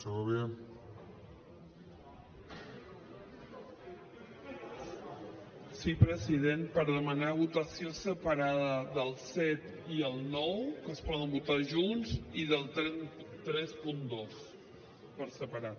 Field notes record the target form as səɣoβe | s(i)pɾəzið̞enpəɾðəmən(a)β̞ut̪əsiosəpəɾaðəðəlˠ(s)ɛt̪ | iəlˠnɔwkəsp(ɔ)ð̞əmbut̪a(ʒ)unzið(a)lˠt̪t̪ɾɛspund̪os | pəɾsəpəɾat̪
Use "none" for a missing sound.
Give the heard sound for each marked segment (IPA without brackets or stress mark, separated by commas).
i, a, s, ɔ, ʒ, ə